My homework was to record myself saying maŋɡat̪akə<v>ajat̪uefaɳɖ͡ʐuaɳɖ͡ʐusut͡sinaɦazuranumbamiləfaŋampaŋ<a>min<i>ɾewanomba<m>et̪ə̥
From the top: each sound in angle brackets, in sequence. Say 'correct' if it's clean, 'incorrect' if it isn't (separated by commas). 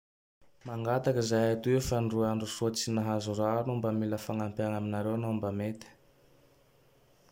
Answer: incorrect, correct, incorrect, correct